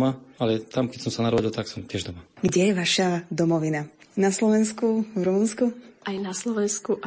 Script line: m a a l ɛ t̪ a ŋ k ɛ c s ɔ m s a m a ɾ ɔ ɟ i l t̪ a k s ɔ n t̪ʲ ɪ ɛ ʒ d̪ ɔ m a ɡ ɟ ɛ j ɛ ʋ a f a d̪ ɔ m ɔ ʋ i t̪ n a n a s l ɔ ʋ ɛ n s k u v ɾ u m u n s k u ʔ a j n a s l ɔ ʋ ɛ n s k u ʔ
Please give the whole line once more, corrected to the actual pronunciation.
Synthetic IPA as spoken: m a a l ɛ t̪ a m k ɛ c s ɔ m s a n a ɾ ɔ ɟ i l t̪ a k s ɔ m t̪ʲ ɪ ɛ ʒ d̪ ɔ m a ɡ ɟ ɛ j ɛ ʋ a ʃ a d̪ ɔ m ɔ ʋ i n a n a s l ɔ ʋ ɛ n s k u v ɾ u m u n s k u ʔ a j n a s l ɔ ʋ ɛ n s k u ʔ